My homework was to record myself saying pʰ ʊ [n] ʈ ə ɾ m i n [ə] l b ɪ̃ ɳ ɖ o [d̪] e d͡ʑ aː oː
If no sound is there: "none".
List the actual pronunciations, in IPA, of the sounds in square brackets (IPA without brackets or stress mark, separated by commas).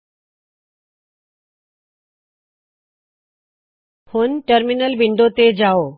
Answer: n, ə, t̪